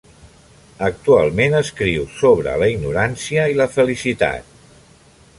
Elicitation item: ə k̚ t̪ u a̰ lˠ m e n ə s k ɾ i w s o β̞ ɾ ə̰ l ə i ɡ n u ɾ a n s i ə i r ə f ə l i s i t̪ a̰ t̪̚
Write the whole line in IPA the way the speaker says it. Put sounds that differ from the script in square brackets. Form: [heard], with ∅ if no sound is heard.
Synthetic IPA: ə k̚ t̪ u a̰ lˠ m e n ə s k ɾ i w s o β̞ ɾ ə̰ l ə i ɡ n u ɾ a n s i ə i [l] ə f ə l i s i t̪ a̰ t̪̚